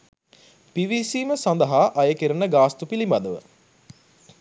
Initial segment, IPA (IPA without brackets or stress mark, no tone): p